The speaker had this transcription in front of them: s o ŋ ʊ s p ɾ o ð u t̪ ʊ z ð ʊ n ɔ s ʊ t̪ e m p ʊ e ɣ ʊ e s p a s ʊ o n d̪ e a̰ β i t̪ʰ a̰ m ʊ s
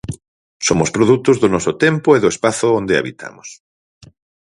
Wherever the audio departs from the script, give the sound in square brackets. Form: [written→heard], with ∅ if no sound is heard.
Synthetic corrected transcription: s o [ŋ→m] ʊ s p ɾ o ð u t̪ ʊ z ð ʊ n ɔ s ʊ t̪ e m p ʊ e [ɣ→ð] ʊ e s p a [s→θ] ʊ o n d̪ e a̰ β i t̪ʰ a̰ m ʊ s